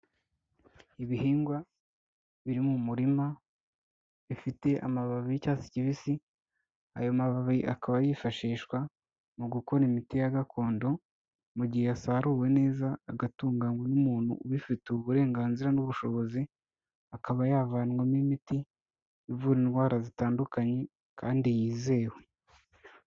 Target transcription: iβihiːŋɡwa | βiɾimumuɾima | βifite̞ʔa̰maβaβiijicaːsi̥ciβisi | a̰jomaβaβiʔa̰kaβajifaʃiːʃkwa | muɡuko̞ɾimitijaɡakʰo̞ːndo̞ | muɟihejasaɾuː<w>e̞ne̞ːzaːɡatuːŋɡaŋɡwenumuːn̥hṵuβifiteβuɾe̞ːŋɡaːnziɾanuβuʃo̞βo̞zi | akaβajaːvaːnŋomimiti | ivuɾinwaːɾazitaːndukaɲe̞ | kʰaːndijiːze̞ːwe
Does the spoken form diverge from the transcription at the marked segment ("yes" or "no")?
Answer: no